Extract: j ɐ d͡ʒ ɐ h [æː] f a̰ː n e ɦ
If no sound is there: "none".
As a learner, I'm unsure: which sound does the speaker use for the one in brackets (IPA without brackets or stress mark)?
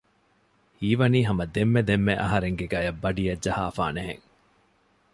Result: aː